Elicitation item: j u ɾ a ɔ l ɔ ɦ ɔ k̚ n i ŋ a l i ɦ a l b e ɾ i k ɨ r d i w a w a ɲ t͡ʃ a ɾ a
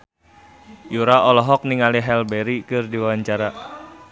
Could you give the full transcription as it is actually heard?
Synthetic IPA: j u ɾ a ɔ l ɔ ɦ ɔ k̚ n i ŋ a l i ɦ ɛ l b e ɾ i k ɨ r d i w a w a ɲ t͡ʃ a ɾ a